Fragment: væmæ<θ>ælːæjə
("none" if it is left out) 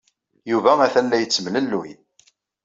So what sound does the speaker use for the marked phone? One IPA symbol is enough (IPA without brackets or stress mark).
θ